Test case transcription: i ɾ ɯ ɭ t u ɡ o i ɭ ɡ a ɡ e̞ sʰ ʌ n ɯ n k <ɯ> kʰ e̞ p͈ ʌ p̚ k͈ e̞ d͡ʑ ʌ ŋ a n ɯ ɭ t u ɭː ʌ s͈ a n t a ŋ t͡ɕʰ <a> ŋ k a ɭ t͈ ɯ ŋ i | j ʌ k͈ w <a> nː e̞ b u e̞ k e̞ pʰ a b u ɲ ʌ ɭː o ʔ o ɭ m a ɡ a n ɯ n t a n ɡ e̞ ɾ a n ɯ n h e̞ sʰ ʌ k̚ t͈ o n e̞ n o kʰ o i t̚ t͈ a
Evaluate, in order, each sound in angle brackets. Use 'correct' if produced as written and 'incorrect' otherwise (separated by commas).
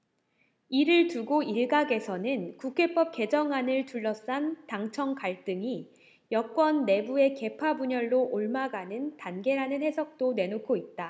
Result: incorrect, incorrect, incorrect